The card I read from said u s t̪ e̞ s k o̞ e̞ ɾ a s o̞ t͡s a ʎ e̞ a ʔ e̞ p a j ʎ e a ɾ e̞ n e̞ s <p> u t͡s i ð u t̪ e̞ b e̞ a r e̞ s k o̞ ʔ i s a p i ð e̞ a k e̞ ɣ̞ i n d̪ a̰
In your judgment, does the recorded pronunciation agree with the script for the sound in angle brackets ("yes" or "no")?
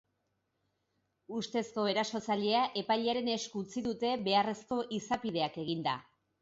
no